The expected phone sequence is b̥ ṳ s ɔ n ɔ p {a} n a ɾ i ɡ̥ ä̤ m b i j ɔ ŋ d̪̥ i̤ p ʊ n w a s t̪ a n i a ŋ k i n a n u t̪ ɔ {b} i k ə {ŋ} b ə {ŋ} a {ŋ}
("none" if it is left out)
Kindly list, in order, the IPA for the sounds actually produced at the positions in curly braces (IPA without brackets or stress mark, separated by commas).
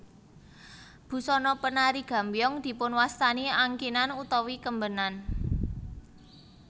ə, w, m, n, n